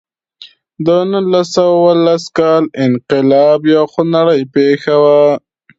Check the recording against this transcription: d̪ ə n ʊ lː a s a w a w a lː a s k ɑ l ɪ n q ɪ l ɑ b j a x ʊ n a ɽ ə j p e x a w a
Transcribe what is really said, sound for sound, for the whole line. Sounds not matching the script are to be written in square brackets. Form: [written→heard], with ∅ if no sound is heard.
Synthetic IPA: d̪ ə n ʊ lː a s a w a w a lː a s k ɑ l ɪ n q ɪ l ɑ b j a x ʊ n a ɽ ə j p e x a w a